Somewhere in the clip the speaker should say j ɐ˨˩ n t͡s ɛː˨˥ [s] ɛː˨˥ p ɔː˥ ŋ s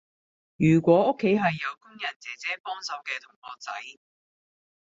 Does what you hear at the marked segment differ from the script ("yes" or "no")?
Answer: yes